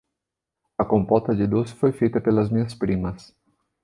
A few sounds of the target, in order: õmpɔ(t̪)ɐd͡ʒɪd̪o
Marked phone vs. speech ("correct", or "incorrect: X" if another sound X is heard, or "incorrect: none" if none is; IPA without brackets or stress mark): correct